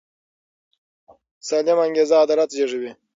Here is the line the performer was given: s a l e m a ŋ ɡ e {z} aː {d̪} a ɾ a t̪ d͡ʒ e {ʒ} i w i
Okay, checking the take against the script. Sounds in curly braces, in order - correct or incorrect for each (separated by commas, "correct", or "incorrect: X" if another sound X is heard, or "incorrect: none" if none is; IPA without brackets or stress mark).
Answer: correct, correct, incorrect: ʐ